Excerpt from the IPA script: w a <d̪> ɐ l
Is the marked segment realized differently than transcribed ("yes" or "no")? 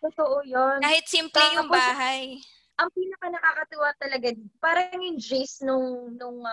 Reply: yes